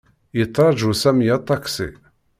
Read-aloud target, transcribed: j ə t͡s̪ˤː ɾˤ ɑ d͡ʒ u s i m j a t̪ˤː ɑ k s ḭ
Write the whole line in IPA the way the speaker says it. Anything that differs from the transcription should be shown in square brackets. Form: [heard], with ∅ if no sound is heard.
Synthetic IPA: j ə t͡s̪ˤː ɾˤ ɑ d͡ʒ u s [æ] m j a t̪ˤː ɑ k s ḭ